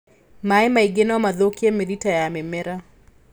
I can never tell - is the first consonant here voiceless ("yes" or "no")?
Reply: no